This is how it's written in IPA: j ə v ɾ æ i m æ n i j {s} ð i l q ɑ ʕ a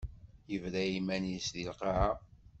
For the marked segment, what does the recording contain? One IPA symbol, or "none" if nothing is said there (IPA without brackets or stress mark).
s